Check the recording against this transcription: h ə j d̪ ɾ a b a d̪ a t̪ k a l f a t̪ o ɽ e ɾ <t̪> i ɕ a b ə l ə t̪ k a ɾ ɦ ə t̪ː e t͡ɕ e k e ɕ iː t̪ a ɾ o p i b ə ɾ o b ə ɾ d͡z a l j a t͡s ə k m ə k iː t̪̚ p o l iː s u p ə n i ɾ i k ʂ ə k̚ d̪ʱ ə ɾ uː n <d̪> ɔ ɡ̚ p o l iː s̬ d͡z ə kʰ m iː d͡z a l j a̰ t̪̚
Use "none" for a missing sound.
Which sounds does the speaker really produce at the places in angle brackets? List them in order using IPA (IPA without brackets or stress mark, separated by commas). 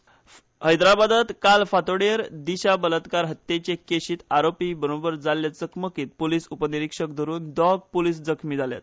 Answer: d̪, d̪